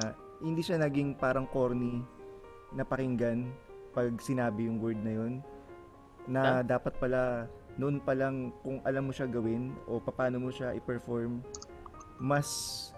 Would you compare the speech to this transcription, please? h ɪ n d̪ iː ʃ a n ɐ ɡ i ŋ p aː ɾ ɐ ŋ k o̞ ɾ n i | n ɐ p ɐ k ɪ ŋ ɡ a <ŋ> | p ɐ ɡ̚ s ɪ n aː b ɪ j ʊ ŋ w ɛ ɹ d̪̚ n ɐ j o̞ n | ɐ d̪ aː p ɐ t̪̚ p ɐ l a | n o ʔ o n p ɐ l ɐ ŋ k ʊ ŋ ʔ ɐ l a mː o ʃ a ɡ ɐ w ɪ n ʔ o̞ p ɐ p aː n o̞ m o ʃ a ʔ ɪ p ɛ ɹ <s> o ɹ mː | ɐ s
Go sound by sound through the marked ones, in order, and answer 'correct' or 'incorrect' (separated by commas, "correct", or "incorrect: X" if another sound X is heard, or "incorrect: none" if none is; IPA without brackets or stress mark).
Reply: incorrect: n, incorrect: f